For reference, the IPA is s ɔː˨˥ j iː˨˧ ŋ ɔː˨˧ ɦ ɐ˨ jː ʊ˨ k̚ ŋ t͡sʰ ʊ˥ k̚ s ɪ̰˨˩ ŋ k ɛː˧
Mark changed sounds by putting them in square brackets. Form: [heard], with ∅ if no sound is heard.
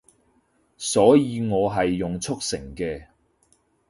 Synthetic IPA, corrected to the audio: s ɔː˨˥ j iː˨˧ ŋ ɔː˨˧ ɦ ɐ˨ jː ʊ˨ [∅] ŋ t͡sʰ ʊ˥ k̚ s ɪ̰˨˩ ŋ k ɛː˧